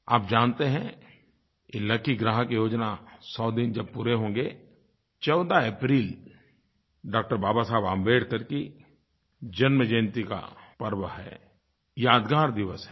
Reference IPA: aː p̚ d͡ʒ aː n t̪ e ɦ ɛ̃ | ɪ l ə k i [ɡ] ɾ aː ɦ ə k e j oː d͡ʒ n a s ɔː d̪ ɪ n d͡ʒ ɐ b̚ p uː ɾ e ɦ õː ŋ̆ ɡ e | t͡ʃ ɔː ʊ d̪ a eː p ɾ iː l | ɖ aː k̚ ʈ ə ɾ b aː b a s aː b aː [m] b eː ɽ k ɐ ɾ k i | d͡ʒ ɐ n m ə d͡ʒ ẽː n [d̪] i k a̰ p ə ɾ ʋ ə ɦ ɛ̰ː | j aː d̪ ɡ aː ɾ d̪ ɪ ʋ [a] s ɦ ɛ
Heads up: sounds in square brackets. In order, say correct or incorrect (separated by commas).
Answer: correct, correct, incorrect, incorrect